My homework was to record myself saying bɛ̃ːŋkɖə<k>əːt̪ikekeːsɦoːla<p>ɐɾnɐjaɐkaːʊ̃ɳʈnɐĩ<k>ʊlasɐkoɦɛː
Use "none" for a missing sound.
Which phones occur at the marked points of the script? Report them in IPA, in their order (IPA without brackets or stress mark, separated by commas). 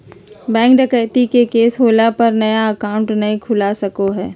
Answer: k, p, kʰ